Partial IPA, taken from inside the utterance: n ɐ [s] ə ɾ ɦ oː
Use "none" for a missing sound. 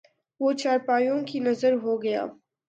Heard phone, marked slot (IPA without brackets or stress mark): z